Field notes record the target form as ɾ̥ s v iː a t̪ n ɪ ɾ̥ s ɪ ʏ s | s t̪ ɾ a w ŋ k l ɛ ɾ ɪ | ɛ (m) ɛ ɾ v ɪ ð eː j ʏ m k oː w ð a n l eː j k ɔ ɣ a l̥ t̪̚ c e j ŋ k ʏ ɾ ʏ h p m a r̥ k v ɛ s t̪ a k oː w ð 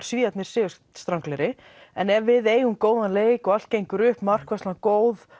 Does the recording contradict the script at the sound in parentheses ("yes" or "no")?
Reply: yes